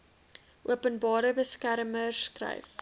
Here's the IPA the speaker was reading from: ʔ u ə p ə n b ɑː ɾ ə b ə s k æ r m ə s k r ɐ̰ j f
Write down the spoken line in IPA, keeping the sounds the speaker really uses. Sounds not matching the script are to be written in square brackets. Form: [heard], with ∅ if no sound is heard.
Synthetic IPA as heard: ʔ u ə p ə n b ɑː ɾ ə b ə s k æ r m ə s k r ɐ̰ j f

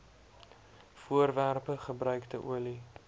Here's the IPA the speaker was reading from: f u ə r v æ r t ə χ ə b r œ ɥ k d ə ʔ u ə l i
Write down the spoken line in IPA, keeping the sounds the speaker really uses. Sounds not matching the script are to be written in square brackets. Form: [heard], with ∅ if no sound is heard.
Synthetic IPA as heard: f u ə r v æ r [p] ə χ ə b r œ ɥ k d ə ʔ u ə l i

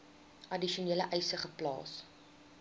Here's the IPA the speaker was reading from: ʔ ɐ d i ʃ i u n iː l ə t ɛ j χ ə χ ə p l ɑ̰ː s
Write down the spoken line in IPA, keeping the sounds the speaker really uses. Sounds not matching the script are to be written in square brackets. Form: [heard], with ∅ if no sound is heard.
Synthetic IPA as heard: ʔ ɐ d i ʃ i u n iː l ə [ʔ] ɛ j [s] ə χ ə p l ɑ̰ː s

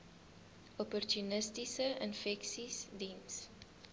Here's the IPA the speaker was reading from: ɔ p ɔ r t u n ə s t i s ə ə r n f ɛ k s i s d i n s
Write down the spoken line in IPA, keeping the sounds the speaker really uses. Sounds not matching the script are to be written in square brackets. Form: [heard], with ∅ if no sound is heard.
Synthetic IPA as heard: ɔ p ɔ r t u n ə s t i s ə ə [∅] n f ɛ k s i s d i n s

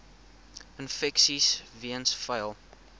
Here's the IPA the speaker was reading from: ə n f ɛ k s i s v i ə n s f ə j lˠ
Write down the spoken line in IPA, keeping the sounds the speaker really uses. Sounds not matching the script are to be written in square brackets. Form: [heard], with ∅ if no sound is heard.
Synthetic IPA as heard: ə n f ɛ k s i s v i ə n s f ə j lˠ

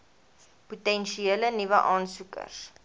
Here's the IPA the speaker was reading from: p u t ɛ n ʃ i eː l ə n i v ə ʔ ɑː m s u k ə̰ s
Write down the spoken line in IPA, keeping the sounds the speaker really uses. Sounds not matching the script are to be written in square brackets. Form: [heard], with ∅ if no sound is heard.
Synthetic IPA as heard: p u t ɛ n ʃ i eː l ə n i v ə ʔ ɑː [n] s u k ə̰ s

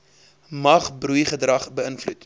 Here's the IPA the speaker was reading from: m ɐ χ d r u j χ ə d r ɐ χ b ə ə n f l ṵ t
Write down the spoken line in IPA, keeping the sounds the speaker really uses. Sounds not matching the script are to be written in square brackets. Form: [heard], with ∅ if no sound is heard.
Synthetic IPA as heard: m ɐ χ [b] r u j χ ə d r ɐ χ b ə ə n f l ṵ t

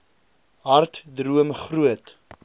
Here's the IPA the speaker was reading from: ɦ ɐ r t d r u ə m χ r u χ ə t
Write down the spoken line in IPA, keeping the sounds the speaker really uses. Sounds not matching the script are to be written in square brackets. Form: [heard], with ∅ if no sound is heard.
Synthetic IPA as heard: ɦ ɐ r t d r u ə m χ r u [∅] ə t

